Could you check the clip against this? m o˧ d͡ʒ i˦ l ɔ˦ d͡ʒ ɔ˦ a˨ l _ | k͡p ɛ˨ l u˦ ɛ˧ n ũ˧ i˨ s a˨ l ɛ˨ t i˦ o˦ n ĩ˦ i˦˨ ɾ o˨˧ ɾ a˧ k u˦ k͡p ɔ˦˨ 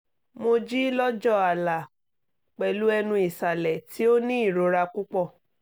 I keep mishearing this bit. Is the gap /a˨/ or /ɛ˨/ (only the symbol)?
a˨